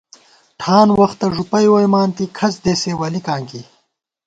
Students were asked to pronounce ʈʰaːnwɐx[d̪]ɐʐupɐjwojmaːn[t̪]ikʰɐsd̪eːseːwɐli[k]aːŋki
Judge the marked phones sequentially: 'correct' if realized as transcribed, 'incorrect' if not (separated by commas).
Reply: incorrect, correct, correct